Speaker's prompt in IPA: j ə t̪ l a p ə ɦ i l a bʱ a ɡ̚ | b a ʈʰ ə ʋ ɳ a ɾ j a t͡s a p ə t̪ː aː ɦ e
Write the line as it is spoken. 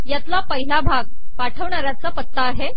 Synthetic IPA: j a t̪ l a p ə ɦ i l a bʱ a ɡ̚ | p a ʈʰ ə ʋ ɳ a ɾ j a t͡s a p ə t̪ː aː ɦ e